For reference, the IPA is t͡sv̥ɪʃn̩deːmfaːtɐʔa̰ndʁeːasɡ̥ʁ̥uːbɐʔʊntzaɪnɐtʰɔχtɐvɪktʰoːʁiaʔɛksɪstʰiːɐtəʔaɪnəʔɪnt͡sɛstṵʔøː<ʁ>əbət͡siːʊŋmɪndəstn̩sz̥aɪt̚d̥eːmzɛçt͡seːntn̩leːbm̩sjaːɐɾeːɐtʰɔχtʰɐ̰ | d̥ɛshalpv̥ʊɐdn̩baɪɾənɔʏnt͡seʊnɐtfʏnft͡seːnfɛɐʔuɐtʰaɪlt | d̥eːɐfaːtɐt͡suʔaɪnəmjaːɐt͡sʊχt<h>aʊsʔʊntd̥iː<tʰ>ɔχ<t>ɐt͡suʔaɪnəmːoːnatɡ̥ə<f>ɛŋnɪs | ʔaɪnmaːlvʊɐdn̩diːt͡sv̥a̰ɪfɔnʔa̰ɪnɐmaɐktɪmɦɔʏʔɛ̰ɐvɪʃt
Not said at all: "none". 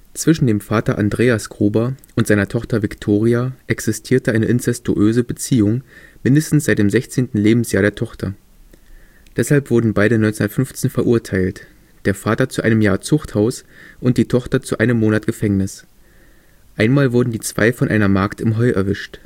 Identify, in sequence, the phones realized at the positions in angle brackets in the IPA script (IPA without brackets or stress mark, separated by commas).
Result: z, h, tʰ, t, f